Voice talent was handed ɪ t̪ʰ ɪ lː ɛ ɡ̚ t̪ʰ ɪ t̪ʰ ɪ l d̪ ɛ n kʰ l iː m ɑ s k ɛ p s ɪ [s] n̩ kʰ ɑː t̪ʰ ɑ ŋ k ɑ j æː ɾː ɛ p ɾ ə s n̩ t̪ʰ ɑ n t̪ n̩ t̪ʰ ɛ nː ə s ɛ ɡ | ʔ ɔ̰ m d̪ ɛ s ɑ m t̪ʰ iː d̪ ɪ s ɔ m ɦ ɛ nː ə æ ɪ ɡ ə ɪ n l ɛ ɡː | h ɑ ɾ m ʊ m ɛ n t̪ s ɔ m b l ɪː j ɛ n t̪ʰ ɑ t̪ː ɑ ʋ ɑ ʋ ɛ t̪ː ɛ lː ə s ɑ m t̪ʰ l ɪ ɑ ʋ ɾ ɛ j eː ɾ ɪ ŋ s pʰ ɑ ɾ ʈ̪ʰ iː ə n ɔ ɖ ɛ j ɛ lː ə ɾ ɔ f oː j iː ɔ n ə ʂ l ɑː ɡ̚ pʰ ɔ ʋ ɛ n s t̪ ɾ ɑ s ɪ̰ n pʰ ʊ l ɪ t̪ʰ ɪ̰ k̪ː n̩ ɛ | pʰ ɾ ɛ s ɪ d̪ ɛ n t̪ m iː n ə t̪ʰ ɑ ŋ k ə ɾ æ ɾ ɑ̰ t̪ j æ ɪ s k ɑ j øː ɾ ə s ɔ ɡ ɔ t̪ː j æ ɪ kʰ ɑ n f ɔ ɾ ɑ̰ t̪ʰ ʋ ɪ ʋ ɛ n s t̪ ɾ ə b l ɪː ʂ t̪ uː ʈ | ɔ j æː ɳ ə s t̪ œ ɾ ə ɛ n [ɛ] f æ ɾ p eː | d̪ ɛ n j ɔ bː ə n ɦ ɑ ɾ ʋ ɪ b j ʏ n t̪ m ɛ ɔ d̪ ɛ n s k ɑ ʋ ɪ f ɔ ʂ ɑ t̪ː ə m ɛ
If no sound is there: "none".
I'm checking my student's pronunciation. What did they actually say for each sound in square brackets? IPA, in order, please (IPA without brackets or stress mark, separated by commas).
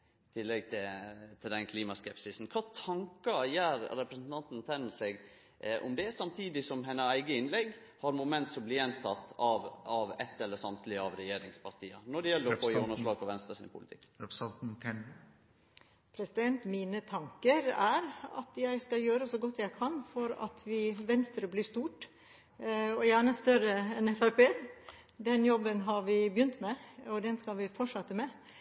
s, ɛ